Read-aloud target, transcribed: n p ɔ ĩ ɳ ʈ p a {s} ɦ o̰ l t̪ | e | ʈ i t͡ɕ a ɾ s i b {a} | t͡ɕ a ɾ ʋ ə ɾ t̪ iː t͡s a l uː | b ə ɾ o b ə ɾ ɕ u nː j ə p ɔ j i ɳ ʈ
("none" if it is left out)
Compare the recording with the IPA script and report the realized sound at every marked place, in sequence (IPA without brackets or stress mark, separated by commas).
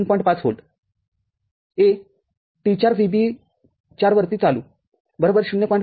t͡s, i